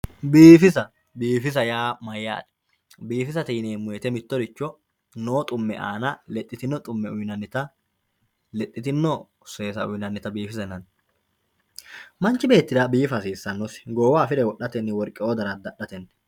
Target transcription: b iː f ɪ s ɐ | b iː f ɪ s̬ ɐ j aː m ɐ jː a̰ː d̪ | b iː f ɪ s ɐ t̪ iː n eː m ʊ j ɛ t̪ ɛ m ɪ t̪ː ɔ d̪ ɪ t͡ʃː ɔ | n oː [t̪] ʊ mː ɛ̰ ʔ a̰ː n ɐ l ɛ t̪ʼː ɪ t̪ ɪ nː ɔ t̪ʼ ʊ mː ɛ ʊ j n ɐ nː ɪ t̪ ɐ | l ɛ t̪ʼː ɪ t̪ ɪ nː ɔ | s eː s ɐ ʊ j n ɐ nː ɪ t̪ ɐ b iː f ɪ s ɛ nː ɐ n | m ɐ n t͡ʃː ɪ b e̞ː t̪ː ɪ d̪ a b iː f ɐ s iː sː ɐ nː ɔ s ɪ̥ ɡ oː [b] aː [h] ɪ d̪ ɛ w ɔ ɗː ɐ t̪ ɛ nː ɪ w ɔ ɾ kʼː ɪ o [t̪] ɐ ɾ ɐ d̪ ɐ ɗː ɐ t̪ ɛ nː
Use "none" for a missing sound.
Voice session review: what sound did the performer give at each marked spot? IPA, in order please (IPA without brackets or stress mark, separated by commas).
t̪ʼ, w, f, d̪